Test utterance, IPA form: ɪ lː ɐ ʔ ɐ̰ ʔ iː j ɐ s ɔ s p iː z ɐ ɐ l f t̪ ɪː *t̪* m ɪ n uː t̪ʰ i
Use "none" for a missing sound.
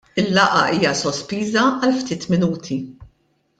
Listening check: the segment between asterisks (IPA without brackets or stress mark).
t̪